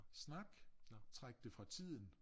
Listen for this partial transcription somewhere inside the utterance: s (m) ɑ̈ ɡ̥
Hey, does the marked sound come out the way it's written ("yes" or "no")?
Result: no